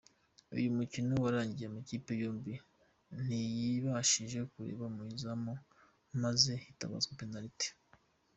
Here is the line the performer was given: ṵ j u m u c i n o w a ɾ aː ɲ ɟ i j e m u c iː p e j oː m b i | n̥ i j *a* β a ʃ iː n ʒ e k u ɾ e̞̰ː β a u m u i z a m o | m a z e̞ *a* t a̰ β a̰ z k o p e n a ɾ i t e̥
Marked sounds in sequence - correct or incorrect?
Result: incorrect: i, incorrect: i

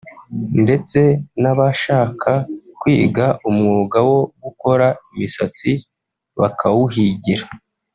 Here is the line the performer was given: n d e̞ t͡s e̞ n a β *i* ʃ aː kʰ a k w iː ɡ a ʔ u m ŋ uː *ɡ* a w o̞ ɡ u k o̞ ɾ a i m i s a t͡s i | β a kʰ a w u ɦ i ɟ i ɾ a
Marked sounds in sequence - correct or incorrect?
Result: incorrect: a, correct

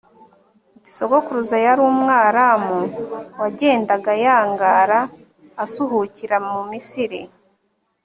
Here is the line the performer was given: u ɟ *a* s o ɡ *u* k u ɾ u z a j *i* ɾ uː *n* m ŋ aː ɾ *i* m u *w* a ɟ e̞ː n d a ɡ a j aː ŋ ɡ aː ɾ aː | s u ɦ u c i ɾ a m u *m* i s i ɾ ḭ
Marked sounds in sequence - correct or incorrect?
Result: incorrect: i, incorrect: o, incorrect: a, incorrect: none, incorrect: a, correct, correct

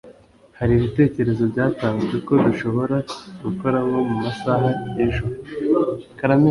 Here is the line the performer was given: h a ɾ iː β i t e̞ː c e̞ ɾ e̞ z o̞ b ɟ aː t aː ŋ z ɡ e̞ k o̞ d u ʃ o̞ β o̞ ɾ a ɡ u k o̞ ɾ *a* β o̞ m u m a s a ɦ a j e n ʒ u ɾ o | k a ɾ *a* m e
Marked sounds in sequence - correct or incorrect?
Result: correct, correct

